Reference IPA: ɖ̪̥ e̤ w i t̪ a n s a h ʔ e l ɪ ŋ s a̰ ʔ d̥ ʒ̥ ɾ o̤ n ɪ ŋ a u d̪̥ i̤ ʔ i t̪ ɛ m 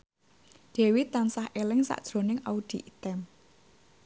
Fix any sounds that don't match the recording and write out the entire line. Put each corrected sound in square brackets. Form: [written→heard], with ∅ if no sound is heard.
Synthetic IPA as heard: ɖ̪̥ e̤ w i t̪ a n s a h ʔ e l ɪ ŋ s a̰ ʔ d̥ ʒ̥ ɾ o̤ n ɪ ŋ a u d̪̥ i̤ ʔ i t̪ ɛ m